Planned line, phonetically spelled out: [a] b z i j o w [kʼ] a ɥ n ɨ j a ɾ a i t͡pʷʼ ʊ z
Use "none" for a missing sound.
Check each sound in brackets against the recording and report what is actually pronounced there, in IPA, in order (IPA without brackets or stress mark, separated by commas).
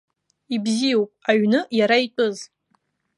i, pʼ